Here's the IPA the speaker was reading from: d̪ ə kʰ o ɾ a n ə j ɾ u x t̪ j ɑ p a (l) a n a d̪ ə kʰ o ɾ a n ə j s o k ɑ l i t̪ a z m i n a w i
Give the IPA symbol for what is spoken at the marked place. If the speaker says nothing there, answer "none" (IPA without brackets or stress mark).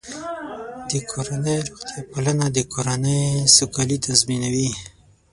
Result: l